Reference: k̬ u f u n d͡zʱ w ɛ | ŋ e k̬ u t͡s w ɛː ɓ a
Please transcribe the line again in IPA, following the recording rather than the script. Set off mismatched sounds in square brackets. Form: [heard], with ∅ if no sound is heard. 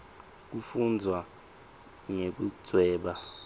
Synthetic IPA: k̬ u f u n d͡zʱ w [a] | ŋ e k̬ u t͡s w ɛː ɓ a